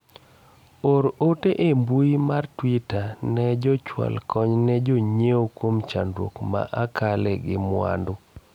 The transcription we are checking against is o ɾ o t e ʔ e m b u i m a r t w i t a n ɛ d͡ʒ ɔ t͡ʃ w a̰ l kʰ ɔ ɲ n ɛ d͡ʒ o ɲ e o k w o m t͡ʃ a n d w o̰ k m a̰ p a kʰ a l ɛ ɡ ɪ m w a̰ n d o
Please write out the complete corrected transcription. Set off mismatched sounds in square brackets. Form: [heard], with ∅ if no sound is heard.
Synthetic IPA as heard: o ɾ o t e ʔ e m b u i m a r t w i t a n ɛ d͡ʒ ɔ t͡ʃ w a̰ l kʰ ɔ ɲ n ɛ d͡ʒ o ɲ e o k w o m t͡ʃ a n d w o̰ k m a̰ [ʔ] a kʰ a l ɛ ɡ ɪ m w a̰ n d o

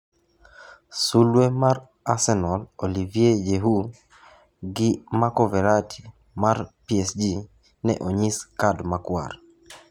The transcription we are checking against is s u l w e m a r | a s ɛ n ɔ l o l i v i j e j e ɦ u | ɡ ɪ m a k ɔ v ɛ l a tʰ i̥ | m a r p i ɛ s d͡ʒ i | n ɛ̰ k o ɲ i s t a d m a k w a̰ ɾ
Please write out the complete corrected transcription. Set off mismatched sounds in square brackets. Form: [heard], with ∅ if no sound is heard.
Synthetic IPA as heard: s u l w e m a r | a s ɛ n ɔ l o l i v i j e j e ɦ u | ɡ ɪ m a k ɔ v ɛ [ɾ] a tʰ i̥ | m a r p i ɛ s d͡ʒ i | n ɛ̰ [ʔ] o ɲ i s [k] a d m a k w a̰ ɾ

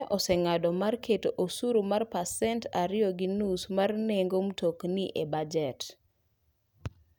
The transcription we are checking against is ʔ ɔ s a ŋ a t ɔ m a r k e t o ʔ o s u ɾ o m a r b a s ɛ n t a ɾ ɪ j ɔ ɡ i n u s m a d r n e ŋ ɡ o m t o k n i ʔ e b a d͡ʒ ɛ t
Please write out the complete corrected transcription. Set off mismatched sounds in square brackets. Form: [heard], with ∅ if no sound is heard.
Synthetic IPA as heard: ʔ ɔ s [ɛ] ŋ a [d] ɔ m a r k e t o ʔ o s u ɾ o m a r [p] a s ɛ n t a ɾ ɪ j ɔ ɡ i n u s m a [∅] r n e ŋ ɡ o m t o k n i ʔ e b a d͡ʒ ɛ t

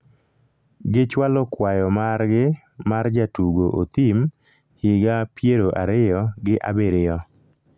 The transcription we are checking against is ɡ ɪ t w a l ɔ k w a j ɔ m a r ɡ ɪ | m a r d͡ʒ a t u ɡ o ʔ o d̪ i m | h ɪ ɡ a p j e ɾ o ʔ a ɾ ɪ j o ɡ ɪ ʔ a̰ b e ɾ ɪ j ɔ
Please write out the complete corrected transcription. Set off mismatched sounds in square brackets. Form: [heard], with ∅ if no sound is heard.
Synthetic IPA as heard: ɡ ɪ [t͡ʃ] w a l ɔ k w a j ɔ m a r ɡ ɪ | m a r d͡ʒ a t u ɡ o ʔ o [t̪] i m | h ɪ ɡ a p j e ɾ o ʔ a ɾ ɪ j [ɔ] ɡ ɪ ʔ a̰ b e ɾ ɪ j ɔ

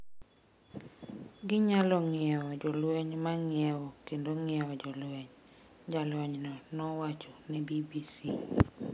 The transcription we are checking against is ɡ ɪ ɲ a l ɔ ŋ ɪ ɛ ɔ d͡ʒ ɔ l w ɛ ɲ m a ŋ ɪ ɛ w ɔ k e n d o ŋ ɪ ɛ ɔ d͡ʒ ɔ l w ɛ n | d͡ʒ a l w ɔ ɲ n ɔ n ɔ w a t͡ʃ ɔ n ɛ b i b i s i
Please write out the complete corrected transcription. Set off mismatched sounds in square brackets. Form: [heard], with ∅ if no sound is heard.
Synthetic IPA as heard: ɡ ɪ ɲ a l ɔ ŋ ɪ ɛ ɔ d͡ʒ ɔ l w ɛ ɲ m a ŋ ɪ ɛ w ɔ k e n d o ŋ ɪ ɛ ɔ d͡ʒ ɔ l w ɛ [ɲ] | d͡ʒ a l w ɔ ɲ n ɔ n ɔ w a t͡ʃ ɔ n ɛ b i b i s i

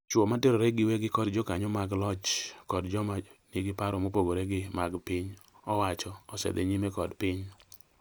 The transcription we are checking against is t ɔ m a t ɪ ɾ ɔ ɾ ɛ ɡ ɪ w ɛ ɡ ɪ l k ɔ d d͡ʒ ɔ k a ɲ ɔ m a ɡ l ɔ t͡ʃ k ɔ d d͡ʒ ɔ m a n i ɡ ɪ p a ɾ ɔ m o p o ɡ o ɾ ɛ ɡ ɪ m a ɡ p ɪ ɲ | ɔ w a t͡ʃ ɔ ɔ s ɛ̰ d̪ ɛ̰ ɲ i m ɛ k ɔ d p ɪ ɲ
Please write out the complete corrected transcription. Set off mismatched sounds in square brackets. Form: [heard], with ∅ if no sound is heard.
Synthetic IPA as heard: [t͡ʃ] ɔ m a t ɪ ɾ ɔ ɾ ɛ ɡ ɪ w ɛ ɡ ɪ [∅] k ɔ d d͡ʒ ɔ k a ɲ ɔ m a ɡ l ɔ t͡ʃ k ɔ d d͡ʒ ɔ m a n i ɡ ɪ p a ɾ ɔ m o p o ɡ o ɾ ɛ ɡ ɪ m a ɡ p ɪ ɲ | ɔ w a t͡ʃ ɔ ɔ s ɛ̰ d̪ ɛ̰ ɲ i m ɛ k ɔ d p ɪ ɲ

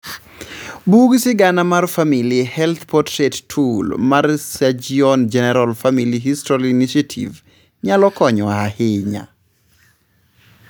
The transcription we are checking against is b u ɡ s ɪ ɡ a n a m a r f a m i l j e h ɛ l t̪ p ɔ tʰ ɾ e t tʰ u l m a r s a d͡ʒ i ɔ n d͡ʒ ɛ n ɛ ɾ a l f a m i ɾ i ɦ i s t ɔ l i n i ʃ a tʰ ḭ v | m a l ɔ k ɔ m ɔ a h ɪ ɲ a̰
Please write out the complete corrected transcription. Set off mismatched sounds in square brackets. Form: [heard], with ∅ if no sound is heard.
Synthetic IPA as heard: b u ɡ s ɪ ɡ a n a m a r f a m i l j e h ɛ l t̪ p ɔ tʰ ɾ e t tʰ u l m a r s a d͡ʒ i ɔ n d͡ʒ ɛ n ɛ ɾ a l f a m i [l] i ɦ i s t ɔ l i n i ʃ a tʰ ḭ v | [ɲ] a l ɔ k ɔ [ɲ] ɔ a h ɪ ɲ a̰

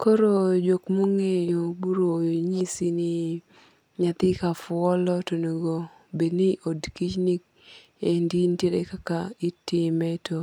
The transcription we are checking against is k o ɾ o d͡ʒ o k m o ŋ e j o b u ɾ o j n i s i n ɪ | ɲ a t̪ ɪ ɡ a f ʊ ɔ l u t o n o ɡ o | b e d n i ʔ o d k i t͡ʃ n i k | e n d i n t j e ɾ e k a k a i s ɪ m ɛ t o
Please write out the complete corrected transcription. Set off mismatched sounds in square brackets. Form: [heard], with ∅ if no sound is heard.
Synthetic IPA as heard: k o ɾ o d͡ʒ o k m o ŋ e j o b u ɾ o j [ɲ] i s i n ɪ | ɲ a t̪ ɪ [k] a f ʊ ɔ l [ɔ] t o n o ɡ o | b e d n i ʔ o d k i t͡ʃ n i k | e n d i n t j e ɾ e k a k a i [t] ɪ m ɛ t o

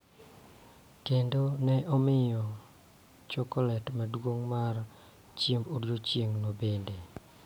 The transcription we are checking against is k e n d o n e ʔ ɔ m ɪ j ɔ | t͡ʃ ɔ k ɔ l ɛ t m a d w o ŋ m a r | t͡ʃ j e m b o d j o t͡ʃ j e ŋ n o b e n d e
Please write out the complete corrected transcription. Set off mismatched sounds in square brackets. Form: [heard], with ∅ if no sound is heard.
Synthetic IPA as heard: k e n d o n [ɛ] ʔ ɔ m ɪ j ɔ | t͡ʃ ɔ k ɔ l ɛ t m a d w o ŋ m a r | t͡ʃ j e m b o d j o t͡ʃ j e ŋ n o b e n d e

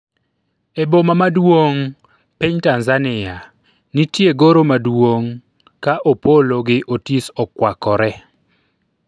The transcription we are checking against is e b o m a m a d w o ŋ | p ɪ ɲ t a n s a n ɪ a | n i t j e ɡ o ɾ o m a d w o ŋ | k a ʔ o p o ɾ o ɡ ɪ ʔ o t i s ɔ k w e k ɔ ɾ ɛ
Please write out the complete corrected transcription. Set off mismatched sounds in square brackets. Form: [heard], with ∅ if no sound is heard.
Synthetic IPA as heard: e b o m a m a d w o ŋ | p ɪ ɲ t a n [z] a n ɪ a | n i t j e ɡ o ɾ o m a d w o ŋ | k a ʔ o p o [l] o ɡ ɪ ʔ o t i s ɔ k w [a] k ɔ ɾ ɛ

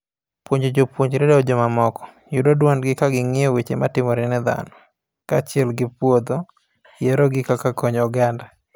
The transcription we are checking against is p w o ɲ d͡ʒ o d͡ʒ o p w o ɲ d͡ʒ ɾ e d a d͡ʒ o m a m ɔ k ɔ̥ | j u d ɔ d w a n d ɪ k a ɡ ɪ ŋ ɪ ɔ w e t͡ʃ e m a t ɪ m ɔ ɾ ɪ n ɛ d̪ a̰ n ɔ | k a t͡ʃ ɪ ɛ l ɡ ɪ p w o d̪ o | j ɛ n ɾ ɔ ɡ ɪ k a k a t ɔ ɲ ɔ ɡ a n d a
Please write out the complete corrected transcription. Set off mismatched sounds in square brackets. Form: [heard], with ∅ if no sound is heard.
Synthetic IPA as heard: p w o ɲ d͡ʒ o d͡ʒ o p w o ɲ d͡ʒ ɾ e d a d͡ʒ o m a m ɔ k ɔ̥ | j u d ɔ d w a n [ɡ] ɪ k a ɡ ɪ ŋ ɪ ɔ w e t͡ʃ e m a t ɪ m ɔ ɾ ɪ n ɛ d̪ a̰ n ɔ | k a t͡ʃ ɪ ɛ l ɡ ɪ p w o d̪ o | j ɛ [∅] ɾ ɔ ɡ ɪ k a k a [k] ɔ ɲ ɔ ɡ a n d a

